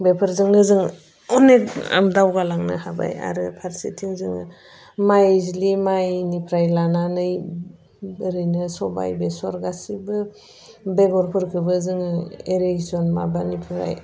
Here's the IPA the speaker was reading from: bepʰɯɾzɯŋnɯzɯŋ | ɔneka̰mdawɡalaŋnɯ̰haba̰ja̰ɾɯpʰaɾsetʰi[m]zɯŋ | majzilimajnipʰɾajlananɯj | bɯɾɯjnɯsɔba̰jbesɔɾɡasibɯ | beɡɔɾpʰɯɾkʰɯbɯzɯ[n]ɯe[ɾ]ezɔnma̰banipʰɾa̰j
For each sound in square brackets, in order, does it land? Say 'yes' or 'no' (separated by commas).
no, no, yes